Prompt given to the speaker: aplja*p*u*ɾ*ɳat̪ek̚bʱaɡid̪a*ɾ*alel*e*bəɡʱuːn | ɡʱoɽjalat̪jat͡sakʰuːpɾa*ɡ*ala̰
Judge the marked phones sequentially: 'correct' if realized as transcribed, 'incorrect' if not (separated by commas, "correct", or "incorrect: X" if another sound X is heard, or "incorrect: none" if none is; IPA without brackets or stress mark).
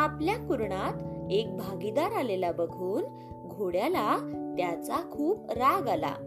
incorrect: k, correct, correct, incorrect: a, correct